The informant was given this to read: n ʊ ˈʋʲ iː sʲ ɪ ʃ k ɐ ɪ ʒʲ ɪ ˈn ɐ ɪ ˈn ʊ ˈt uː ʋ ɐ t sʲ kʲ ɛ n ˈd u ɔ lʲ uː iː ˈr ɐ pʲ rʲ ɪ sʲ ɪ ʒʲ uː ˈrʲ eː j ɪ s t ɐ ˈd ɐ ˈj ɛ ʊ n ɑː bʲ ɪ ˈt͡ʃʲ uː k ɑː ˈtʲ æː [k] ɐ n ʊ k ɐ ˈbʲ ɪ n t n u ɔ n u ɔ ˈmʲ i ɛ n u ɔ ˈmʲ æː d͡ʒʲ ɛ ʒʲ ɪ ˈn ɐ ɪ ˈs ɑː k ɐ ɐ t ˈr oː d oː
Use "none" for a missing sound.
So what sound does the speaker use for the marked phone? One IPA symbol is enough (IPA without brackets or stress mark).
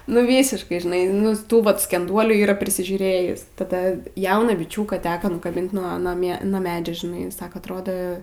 k